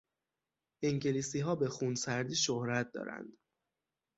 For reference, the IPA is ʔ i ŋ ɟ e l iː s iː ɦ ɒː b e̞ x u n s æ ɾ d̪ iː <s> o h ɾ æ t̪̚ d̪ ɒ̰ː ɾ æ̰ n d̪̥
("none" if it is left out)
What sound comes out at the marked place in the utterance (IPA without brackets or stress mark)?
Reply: ʃ